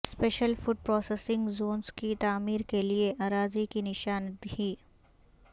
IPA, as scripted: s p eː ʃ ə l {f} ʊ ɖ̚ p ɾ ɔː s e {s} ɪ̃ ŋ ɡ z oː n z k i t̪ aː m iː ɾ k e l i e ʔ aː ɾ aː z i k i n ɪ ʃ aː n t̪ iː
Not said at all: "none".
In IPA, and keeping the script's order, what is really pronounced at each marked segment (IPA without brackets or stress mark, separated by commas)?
f, s